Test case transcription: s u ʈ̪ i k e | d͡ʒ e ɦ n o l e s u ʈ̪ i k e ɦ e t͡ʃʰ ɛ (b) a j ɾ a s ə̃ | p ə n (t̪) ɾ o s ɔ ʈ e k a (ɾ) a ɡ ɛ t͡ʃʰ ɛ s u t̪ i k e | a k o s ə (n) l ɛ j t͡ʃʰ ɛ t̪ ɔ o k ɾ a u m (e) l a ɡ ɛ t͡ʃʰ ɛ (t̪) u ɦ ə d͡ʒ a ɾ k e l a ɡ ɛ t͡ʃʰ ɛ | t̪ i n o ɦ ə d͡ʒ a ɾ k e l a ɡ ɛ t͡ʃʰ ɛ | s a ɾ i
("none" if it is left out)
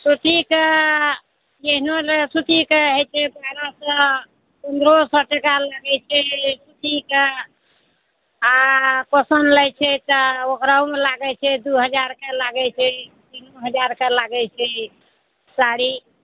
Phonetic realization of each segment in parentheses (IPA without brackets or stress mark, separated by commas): b, d̪, l, n, e, d̪